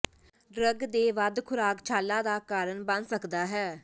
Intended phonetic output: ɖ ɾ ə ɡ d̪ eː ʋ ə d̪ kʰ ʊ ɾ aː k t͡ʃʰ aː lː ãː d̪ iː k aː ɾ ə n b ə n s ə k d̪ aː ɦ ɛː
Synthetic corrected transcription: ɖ ɾ ə ɡ d̪ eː ʋ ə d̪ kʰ ʊ ɾ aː k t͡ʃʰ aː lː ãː d̪ aː k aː ɾ ə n b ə n s ə k d̪ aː ɦ ɛː